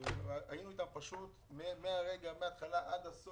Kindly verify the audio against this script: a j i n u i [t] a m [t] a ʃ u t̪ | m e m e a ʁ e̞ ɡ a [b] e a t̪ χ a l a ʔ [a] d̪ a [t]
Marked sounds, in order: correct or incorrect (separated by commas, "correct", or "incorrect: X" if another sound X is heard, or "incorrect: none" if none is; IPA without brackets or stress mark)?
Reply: correct, incorrect: p, incorrect: m, correct, incorrect: s